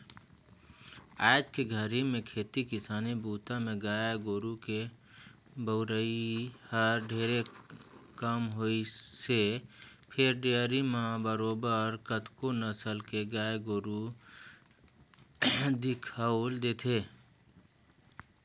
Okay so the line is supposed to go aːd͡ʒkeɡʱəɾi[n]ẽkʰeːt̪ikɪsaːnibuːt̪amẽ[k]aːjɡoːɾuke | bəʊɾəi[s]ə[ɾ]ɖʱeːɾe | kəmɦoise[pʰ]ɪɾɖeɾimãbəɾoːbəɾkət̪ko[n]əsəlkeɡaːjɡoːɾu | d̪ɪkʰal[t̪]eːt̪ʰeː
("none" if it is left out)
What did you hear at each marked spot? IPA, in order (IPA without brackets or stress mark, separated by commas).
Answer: m, ɡ, h, ɾ, pʰ, n, d̪